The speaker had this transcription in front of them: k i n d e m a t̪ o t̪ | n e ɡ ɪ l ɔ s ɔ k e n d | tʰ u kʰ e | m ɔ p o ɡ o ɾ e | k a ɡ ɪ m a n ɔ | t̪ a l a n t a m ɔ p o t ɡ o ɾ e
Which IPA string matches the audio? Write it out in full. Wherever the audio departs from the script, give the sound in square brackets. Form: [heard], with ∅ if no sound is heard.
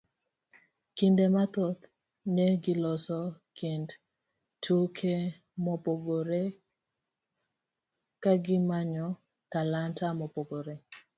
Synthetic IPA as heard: k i n d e m a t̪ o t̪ | n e ɡ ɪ l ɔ s ɔ k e n d | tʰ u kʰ e | m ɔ p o ɡ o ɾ e | k a ɡ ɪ m a [ɲ] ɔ | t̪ a l a n t a m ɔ p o [∅] ɡ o ɾ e